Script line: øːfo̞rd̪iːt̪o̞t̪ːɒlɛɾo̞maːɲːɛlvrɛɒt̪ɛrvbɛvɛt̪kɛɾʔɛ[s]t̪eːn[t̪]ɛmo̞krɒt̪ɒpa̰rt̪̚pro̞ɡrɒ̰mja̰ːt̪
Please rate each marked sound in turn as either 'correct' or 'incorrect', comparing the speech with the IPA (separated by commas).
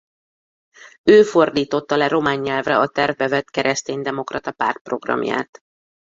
correct, incorrect